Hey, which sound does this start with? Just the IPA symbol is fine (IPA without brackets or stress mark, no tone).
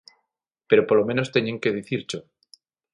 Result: p